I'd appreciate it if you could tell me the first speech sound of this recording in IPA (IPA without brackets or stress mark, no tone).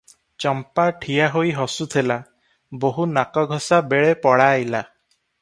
t͡ʃ